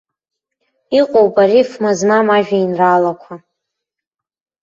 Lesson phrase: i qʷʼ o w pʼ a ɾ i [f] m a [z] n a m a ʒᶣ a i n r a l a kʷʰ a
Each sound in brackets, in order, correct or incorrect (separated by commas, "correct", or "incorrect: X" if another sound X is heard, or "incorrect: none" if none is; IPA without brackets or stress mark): correct, correct